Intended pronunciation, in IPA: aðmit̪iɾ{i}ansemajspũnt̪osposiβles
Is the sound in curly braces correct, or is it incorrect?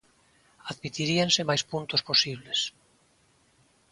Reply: correct